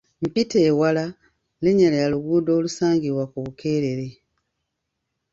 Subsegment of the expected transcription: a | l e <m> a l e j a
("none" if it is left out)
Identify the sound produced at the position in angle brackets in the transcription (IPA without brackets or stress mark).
ɲ